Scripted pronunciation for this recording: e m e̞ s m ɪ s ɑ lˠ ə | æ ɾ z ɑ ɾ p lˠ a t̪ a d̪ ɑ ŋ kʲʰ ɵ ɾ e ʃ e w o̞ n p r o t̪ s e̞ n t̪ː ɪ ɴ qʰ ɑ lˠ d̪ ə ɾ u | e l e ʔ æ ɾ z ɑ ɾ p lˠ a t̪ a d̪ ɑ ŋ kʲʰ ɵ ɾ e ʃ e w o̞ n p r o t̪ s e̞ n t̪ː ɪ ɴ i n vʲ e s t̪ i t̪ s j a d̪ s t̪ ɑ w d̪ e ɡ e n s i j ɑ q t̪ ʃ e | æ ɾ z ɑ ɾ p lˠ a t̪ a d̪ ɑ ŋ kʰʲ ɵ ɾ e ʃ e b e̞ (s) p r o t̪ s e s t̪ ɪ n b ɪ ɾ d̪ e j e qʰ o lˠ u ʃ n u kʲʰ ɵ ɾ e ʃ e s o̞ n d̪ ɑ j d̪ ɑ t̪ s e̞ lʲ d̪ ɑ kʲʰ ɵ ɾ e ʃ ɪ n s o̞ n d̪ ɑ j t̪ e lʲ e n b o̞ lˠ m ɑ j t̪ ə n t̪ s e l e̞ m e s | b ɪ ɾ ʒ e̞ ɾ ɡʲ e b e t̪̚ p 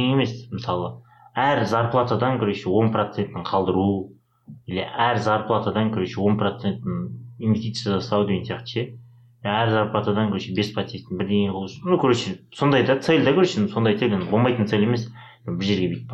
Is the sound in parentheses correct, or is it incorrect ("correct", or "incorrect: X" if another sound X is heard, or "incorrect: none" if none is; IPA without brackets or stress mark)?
correct